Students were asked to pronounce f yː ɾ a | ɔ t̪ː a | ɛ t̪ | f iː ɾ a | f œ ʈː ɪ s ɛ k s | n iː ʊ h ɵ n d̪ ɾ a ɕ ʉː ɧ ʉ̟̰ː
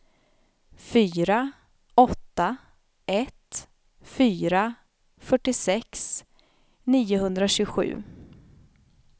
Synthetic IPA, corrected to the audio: f yː ɾ a | ɔ t̪ː a | ɛ t̪ | f yː ɾ a | f œ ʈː ɪ s ɛ k s | n iː ʊ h ɵ n d̪ ɾ a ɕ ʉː ɧ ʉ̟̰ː

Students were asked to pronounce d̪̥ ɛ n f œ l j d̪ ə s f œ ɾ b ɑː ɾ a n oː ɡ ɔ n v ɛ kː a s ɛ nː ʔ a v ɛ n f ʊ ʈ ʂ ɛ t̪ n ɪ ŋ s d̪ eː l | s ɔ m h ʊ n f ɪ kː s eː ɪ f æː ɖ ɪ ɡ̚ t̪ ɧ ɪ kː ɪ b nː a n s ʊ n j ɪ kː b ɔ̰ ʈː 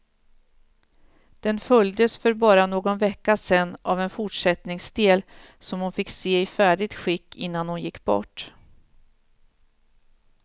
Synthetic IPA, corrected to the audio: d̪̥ ɛ n f œ l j d̪ ə s f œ ɾ b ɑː ɾ a n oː ɡ ɔ n v ɛ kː a s ɛ nː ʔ a v ɛ n f ʊ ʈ ʂ ɛ t̪ n ɪ ŋ s d̪ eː l | s ɔ m h ʊ n f ɪ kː s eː ɪ f æː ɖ ɪ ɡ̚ t̪ ɧ ɪ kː ɪ nː a n h ʊ n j ɪ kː b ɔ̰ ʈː

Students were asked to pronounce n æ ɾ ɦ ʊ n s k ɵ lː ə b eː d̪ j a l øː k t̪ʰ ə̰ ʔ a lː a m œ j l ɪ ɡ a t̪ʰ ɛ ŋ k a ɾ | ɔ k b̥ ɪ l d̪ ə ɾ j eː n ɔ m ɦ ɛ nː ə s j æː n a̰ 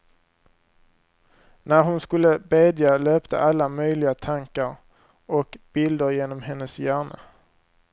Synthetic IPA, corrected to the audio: n æ ɾ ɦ ʊ n s k ɵ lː ə b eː d̪ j a l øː p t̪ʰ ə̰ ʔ a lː a m œ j l ɪ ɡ a t̪ʰ a ŋ k a ɾ | ɔ k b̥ ɪ l d̪ ə ɾ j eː n ɔ m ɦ ɛ nː ə s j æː ɳ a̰

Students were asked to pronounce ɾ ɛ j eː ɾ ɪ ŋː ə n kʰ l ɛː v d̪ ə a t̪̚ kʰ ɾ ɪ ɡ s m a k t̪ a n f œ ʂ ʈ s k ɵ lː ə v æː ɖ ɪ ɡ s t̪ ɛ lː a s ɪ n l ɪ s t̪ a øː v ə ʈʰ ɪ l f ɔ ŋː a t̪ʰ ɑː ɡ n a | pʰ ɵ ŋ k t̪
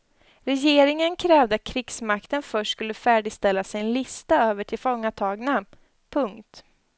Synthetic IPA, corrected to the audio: ɾ ɛ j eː ɾ ɪ ŋ ə n kʰ ɾ ɛː v d̪ ə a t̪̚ kʰ ɾ ɪ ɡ s m a k t̪ ə n f œ ʂ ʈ s k ɵ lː ə f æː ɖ ɪ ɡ s t̪ ɛ lː a s ɪ n l ɪ s t̪ a øː v ə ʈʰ ɪ l f ɔ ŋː a t̪ʰ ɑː ɡ n a | pʰ ɵ ŋ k t̪

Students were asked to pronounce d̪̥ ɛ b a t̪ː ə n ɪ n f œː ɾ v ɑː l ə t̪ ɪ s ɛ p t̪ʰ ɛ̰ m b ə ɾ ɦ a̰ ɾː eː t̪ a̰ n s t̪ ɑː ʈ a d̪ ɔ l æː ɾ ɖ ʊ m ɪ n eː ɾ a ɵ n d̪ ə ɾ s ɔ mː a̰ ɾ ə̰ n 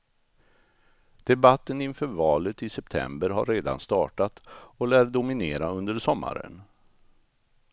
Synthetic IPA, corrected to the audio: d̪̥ ɛ b a t̪ː ə n ɪ n f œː ɾ v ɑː l ə t̪ ɪ s ɛ p t̪ʰ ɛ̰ m b ə ɾ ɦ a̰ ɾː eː d̪ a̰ n s t̪ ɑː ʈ a t̪ ɔ l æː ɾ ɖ ʊ m ɪ n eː ɾ a ɵ n d̪ ə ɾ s ɔ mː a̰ ɾ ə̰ n

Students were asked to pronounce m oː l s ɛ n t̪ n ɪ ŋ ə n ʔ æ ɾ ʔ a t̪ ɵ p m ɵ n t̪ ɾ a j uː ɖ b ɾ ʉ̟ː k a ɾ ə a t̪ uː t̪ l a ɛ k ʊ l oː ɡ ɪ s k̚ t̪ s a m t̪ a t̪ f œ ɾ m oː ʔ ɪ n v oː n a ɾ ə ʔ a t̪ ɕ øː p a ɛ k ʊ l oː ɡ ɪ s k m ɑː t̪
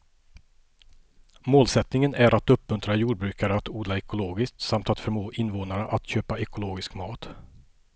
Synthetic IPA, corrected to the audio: m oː l s ɛ t̪ n ɪ ŋ ə n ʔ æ ɾ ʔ a t̪ ɵ p m ɵ n t̪ ɾ a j uː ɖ b ɾ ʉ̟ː k a ɾ ə a t̪ uː d̪ l a ɛ k ʊ l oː ɡ ɪ s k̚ t̪ s a m t̪ a t̪ f œ ɾ m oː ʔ ɪ n v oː n a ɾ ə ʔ a t̪ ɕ øː p a ɛ k ʊ l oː ɡ ɪ s k m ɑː t̪

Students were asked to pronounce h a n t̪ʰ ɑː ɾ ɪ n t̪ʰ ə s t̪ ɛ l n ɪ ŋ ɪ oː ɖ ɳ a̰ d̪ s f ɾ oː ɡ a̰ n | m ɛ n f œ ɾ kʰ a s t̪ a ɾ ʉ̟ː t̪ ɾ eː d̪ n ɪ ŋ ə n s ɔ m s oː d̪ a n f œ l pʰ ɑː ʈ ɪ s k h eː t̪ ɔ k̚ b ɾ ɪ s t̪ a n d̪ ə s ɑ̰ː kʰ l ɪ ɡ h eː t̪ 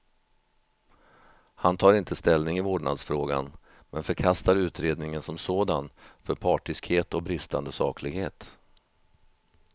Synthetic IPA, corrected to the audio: h a n t̪ʰ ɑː ɾ ɪ n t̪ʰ ə s t̪ ɛ l n ɪ ŋ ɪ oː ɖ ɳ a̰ d̪ s f ɾ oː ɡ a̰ n | m ɛ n f œ ɾ kʰ a s t̪ a ɾ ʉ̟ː t̪ ɾ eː d̪ n ɪ ŋ ə n s ɔ m s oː d̪ a n f œ ɾ pʰ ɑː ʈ ɪ s k h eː t̪ ɔ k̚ b ɾ ɪ s t̪ a n d̪ ə s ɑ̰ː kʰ l ɪ ɡ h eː t̪

